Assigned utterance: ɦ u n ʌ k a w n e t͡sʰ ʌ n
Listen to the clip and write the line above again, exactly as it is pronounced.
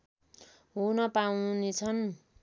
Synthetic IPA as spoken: ɦ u n ʌ p a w n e t͡sʰ ʌ n